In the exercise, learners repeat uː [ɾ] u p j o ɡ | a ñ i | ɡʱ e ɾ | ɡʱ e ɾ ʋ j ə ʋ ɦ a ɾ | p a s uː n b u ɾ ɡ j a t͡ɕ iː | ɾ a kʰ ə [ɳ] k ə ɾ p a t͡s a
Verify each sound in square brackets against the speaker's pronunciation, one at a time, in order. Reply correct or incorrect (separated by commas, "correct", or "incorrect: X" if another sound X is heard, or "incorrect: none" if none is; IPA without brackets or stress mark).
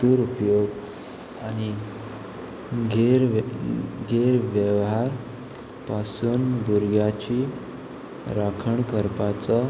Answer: correct, correct